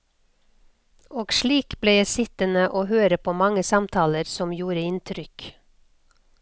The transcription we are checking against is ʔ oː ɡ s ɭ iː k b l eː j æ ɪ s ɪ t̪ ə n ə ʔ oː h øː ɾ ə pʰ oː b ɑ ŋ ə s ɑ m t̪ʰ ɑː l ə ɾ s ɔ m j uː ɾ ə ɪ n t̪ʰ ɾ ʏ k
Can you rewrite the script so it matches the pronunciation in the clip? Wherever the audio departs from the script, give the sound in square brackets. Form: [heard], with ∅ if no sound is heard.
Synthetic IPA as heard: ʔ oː ɡ [ʃ] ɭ iː k b l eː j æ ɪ s ɪ t̪ ə n ə ʔ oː h øː ɾ ə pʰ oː [m] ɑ ŋ ə s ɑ m t̪ʰ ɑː l ə ɾ s ɔ m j uː ɾ ə ɪ n t̪ʰ ɾ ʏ k